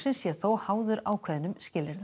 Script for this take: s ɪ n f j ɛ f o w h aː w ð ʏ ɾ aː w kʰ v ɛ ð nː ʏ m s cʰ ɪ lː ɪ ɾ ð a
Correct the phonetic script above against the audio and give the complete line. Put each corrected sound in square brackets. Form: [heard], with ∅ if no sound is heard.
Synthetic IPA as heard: s ɪ n [s] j ɛ [θ] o w h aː w ð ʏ ɾ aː w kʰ v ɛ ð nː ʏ m s [c] ɪ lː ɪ ɾ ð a